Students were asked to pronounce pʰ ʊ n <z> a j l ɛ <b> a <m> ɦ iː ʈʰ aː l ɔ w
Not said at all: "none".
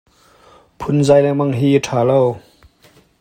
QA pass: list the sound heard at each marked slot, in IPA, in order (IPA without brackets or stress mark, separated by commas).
z, m, ŋ